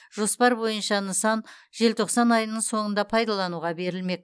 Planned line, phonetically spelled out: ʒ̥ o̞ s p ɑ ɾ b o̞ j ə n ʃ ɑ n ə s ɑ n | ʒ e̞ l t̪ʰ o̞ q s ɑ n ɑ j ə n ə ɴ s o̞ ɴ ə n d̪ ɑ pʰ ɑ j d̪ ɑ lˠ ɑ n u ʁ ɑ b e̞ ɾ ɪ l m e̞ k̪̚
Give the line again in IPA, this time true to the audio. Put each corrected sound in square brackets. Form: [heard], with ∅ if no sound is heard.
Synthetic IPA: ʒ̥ o̞ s p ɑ ɾ b o̞ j ə n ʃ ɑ n ə s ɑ n | ʒ e̞ l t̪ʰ o̞ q s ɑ n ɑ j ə n ə ɴ s o̞ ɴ ə n d̪ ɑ pʰ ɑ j d̪ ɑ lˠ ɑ n u ʁ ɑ b e̞ ɾ ɪ l m e̞ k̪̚

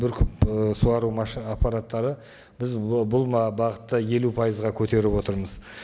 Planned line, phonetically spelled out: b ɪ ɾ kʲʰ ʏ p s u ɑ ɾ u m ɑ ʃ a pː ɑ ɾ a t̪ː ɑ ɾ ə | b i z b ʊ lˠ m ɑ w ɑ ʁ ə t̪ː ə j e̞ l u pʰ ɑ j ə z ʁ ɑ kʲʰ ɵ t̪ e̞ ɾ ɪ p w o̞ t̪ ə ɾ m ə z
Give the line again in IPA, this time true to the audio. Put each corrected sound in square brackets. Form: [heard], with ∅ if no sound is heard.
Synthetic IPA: b ɪ ɾ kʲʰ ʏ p s u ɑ ɾ u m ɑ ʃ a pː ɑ ɾ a t̪ː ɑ ɾ ə | b [ɪ] z b ʊ lˠ m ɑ [b] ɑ ʁ ə t̪ː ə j e̞ l u pʰ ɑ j ə z ʁ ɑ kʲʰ ɵ t̪ e̞ ɾ ɪ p w o̞ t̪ ə ɾ m ə z

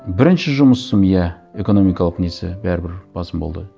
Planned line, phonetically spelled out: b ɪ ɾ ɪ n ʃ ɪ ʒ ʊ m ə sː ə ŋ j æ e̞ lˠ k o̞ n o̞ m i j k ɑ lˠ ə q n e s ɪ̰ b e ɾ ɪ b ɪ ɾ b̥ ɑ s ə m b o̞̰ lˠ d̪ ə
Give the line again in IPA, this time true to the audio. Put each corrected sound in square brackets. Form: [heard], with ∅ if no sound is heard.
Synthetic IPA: b ɪ ɾ ɪ n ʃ ɪ ʒ ʊ m ə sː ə [m] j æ e̞ [∅] k o̞ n o̞ m i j k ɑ lˠ ə q n e s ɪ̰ b [æ] ɾ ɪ b ɪ ɾ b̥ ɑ s ə m b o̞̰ lˠ d̪ ə

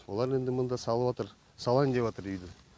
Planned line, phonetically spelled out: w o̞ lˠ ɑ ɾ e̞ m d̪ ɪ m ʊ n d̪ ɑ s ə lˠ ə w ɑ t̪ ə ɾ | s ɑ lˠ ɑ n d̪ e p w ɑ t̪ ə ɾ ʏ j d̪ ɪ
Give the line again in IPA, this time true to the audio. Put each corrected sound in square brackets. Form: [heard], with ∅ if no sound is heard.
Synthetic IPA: w o̞ lˠ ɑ ɾ e̞ [n] d̪ ɪ m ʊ n d̪ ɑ s [ɑ] lˠ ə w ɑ t̪ ə ɾ | s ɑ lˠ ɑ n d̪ e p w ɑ t̪ ə ɾ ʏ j d̪ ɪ

